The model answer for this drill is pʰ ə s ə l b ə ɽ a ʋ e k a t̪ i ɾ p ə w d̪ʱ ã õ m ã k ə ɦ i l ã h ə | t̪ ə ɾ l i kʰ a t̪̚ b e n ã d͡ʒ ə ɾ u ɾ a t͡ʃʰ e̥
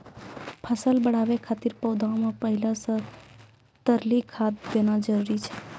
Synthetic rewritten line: pʰ ə s ə l b ə ɽ a ʋ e kʰ a t̪ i ɾ p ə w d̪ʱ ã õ m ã p ə ɦ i l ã s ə | t̪ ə ɾ l i kʰ a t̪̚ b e n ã d͡ʒ ə ɾ u ɾ i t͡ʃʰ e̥